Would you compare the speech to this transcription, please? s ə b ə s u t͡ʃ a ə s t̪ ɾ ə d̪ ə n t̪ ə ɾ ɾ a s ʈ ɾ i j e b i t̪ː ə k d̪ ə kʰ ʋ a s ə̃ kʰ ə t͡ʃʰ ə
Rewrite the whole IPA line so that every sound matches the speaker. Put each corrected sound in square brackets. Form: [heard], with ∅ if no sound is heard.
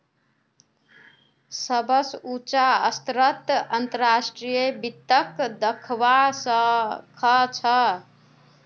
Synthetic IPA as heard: s ə b ə s u t͡ʃ a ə s t̪ ɾ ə [t̪] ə n t̪ ə ɾ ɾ a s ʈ ɾ i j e b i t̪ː ə k d̪ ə kʰ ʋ a s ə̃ kʰ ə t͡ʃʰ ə